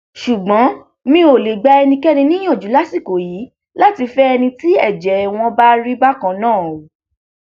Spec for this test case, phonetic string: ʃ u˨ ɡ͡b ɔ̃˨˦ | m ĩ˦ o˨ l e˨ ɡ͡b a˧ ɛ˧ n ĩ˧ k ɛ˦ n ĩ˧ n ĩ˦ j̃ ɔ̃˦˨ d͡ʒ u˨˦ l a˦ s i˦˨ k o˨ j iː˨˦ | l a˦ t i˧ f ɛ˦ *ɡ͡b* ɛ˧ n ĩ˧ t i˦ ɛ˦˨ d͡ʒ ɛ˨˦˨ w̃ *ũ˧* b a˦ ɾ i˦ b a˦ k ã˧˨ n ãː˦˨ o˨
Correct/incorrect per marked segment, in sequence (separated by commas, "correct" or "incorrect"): incorrect, incorrect